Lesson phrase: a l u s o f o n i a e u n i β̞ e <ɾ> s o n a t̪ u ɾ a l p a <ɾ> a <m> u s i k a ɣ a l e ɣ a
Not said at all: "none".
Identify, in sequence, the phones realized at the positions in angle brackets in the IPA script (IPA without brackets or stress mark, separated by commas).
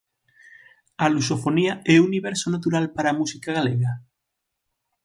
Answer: ɾ, ɾ, m